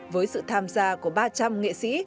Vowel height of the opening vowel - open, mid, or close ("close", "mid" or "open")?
mid